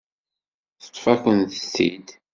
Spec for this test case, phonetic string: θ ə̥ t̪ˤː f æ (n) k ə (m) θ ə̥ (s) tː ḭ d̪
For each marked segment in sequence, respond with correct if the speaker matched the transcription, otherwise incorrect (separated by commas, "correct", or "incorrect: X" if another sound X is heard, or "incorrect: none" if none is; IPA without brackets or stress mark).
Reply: incorrect: none, incorrect: n, correct